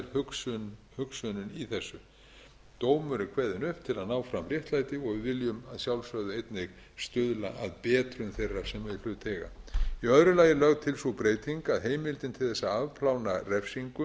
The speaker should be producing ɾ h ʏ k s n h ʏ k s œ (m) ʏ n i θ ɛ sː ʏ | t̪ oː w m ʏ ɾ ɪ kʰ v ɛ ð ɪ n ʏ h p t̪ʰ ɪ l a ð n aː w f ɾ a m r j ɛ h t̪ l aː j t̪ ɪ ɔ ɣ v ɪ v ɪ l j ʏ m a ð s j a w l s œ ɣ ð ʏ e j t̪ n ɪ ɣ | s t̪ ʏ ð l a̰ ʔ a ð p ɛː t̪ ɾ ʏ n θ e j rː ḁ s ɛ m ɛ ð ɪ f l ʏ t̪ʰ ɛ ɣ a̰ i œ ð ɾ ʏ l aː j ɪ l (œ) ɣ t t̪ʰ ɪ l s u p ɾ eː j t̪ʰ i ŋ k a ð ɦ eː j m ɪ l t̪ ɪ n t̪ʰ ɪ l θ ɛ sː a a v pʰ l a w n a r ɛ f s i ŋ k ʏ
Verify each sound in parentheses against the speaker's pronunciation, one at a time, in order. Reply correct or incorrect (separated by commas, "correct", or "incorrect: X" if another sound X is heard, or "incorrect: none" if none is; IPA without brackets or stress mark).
incorrect: n, correct